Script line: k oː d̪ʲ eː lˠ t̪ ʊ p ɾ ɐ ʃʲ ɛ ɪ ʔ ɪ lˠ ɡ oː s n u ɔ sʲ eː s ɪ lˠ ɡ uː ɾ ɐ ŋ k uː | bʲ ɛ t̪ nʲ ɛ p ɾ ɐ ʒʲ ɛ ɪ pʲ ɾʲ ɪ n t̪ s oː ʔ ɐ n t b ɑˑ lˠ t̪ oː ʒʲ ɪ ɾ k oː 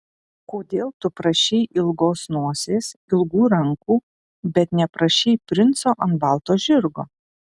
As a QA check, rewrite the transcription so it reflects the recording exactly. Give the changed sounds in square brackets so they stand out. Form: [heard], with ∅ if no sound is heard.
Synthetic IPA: k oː d̪ʲ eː lˠ t̪ ʊ p ɾ ɐ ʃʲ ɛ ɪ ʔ ɪ lˠ ɡ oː s n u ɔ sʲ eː s ɪ lˠ ɡ uː ɾ ɐ ŋ k uː | bʲ ɛ t̪ nʲ ɛ p ɾ ɐ [ʃʲ] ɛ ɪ pʲ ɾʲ ɪ n t̪ s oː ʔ ɐ n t b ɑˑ lˠ t̪ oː ʒʲ ɪ ɾ [ɡ] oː

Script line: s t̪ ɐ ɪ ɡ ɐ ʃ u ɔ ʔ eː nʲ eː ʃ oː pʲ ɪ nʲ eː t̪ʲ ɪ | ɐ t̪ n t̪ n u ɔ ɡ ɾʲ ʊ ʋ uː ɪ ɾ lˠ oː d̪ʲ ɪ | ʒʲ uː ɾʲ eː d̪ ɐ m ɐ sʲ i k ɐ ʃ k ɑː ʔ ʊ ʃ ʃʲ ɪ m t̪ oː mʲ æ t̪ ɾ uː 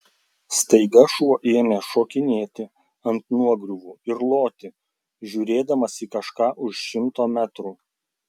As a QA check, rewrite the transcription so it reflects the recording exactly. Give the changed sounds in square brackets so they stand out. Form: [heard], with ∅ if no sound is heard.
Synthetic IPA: s t̪ ɐ ɪ ɡ ɐ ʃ u ɔ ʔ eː [mʲ] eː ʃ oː [kʲ] ɪ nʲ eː t̪ʲ ɪ | ɐ [∅] n t̪ n u ɔ ɡ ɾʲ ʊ ʋ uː ɪ ɾ lˠ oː [t̪ʲ] ɪ | ʒʲ uː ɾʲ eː d̪ ɐ m ɐ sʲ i k ɐ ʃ k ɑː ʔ ʊ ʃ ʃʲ ɪ m t̪ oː mʲ æ t̪ ɾ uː

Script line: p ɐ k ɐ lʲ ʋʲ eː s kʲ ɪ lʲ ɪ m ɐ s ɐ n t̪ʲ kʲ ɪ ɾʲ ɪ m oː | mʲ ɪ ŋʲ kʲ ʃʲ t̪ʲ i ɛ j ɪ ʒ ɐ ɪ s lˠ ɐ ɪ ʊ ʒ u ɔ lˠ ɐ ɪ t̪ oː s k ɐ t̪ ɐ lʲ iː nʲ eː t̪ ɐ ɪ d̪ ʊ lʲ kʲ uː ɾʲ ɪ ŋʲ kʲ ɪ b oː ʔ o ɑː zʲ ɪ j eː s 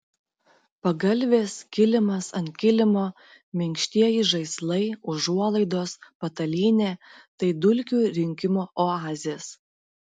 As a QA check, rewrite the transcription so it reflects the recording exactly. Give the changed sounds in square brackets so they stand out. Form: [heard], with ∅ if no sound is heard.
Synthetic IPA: p ɐ [ɡ] ɐ lʲ ʋʲ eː s kʲ ɪ lʲ ɪ m ɐ s ɐ n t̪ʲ kʲ ɪ [lʲ] ɪ m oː | mʲ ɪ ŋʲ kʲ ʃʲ t̪ʲ i ɛ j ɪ ʒ ɐ ɪ s lˠ ɐ ɪ ʊ ʒ u ɔ lˠ ɐ ɪ [d̪] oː s [p] ɐ t̪ ɐ lʲ iː nʲ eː t̪ ɐ ɪ d̪ ʊ lʲ kʲ uː ɾʲ ɪ ŋʲ kʲ ɪ [m] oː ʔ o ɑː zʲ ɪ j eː s

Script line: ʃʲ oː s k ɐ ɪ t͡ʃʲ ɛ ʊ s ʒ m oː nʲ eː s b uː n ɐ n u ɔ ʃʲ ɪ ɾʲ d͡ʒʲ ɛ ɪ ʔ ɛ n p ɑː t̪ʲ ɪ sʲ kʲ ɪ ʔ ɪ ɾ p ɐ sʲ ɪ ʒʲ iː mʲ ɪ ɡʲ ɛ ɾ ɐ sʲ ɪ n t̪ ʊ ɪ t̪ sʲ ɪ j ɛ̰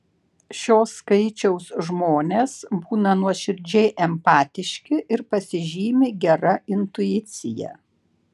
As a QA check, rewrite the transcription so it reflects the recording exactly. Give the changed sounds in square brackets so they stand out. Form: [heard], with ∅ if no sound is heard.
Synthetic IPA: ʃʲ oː s k ɐ ɪ t͡ʃʲ ɛ ʊ s ʒ m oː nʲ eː s b uː n ɐ n u ɔ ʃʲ ɪ ɾʲ d͡ʒʲ ɛ ɪ ʔ ɛ [m] p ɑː t̪ʲ ɪ [ʃʲ] kʲ ɪ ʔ ɪ ɾ p ɐ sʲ ɪ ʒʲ iː mʲ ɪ ɡʲ ɛ ɾ ɐ [∅] ɪ n t̪ ʊ ɪ t̪ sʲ ɪ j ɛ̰

